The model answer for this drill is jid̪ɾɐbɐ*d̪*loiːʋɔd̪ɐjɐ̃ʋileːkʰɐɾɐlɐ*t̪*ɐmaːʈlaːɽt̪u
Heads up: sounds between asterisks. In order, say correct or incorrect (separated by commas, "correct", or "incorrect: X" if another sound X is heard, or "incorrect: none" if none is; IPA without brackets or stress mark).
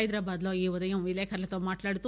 correct, correct